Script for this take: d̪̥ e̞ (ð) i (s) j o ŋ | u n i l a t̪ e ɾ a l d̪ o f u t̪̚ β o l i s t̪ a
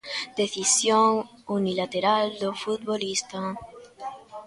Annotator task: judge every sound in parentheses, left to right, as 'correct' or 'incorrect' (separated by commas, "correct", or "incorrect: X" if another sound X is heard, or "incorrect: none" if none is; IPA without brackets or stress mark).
incorrect: θ, correct